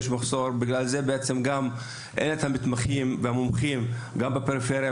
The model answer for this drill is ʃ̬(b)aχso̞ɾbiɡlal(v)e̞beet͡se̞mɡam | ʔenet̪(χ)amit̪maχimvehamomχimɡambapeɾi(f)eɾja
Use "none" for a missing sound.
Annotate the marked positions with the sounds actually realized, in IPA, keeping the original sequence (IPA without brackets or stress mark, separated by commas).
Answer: m, z, h, f